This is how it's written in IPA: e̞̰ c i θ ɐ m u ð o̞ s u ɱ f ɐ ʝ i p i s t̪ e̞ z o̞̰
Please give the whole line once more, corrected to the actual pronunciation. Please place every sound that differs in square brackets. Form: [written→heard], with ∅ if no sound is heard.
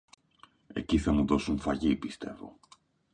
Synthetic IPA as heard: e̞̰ c i θ ɐ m u ð o̞ s u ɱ f ɐ ʝ i p i s t̪ e̞ [z→v] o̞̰